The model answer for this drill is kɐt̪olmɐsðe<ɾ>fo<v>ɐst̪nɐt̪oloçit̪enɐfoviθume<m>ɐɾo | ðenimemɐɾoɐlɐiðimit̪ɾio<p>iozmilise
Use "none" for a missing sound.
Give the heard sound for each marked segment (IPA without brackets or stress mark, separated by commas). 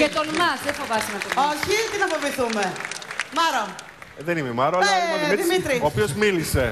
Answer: none, v, m, p